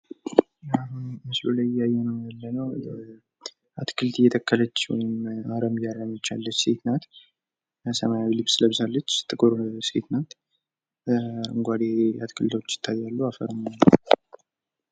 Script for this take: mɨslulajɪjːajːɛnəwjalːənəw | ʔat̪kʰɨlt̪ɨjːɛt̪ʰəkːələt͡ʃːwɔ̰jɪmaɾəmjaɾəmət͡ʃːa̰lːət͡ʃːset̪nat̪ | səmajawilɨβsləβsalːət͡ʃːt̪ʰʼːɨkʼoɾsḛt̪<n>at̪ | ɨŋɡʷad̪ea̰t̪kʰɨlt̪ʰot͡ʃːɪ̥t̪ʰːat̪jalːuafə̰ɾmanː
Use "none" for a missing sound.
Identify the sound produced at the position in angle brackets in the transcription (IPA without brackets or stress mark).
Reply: n